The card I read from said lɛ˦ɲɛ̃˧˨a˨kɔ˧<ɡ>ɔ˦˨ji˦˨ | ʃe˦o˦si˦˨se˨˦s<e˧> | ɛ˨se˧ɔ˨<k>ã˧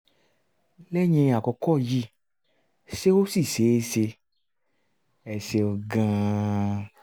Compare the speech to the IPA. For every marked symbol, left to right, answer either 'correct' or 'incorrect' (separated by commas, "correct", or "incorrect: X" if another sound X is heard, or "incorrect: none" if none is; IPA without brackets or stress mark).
incorrect: k, correct, incorrect: ɡ